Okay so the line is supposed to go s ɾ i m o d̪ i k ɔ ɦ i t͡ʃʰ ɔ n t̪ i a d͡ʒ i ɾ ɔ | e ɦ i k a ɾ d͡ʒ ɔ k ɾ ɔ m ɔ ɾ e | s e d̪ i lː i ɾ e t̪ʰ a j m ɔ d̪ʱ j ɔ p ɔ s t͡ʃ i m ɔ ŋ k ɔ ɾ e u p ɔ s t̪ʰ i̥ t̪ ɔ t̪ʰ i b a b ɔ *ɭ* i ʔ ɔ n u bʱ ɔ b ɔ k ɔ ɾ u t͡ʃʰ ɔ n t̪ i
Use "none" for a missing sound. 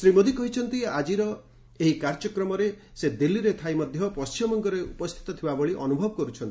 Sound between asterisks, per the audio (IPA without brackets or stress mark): ɭ